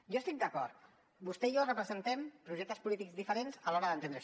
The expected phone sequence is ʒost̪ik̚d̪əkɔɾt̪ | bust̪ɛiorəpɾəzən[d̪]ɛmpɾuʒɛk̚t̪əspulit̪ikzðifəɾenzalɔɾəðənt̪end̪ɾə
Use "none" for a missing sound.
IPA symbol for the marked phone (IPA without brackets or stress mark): t̪